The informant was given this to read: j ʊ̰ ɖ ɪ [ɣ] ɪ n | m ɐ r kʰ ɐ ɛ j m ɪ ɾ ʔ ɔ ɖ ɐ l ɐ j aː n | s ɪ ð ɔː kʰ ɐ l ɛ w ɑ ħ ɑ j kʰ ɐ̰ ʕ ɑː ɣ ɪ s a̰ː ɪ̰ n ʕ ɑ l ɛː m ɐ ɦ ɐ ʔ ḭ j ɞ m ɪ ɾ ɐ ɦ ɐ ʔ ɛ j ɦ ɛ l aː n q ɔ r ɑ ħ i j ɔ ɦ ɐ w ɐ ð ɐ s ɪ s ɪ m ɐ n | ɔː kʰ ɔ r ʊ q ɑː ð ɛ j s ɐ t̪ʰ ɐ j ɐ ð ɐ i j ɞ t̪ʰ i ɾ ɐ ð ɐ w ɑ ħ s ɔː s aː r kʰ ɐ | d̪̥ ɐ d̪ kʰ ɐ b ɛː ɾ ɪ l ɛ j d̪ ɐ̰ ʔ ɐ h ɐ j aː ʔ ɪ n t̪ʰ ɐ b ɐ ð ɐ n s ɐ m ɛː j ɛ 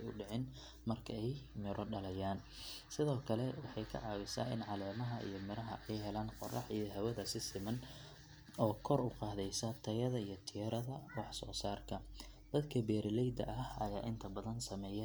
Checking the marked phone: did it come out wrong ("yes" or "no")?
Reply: yes